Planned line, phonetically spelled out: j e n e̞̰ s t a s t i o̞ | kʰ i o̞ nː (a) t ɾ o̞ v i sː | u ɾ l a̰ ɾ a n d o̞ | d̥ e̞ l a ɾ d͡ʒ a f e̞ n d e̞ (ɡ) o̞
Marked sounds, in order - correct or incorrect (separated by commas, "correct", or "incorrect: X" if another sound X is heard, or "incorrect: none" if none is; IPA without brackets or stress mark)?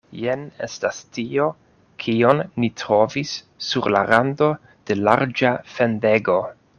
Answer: incorrect: i, correct